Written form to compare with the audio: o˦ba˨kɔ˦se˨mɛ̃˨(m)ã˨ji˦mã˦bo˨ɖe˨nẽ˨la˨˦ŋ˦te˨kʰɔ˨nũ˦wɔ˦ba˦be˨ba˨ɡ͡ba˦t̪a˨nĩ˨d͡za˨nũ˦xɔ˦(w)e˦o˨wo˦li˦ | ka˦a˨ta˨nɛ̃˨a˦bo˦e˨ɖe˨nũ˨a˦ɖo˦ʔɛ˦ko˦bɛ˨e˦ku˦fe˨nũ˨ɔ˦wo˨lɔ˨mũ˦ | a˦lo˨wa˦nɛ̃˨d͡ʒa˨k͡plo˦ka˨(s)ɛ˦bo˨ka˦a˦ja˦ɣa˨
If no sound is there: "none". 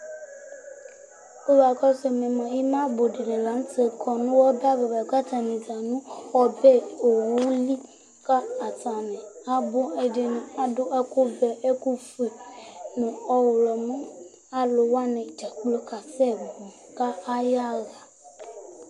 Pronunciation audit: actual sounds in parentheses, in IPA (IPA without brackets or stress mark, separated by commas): m, b, s